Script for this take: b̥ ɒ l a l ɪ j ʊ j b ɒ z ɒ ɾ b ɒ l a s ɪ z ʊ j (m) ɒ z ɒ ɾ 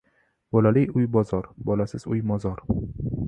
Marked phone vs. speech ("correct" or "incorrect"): correct